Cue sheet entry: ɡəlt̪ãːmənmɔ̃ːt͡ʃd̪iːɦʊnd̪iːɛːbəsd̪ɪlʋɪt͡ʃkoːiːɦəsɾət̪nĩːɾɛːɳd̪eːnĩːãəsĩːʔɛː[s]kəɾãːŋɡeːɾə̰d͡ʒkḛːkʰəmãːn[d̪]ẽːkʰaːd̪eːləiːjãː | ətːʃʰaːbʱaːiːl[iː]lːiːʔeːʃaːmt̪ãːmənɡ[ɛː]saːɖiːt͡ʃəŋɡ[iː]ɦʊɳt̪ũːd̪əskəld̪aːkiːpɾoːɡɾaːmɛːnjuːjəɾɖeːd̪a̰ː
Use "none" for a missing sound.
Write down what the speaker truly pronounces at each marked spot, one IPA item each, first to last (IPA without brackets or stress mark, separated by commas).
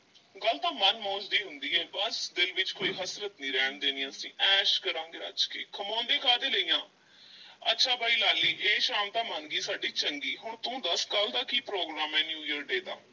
ʃ, d̪, aː, iː, iː